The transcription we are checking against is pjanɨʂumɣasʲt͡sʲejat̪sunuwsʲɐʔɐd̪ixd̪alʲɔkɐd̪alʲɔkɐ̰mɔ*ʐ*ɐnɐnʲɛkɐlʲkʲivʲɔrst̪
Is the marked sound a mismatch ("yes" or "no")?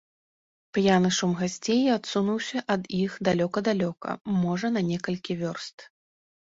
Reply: no